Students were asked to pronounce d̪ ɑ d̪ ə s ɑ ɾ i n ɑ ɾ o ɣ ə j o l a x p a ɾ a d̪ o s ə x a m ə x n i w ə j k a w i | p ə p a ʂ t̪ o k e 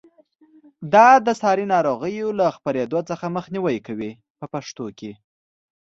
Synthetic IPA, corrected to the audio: d̪ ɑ d̪ ə s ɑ ɾ i n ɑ ɾ o ɣ ə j o l a x p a ɾ e d̪ o t͡s ə x a m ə x n i w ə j k a w i | p ə p a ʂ t̪ o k e